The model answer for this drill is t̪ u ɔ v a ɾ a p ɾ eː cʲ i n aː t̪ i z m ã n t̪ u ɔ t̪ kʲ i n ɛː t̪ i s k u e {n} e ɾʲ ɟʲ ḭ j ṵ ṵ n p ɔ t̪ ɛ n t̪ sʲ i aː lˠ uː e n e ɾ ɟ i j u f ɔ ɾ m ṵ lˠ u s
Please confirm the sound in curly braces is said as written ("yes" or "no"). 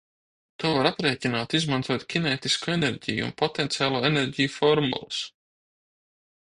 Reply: yes